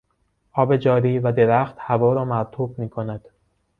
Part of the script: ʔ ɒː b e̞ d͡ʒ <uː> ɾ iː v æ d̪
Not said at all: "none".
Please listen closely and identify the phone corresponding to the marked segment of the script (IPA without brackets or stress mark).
ɒː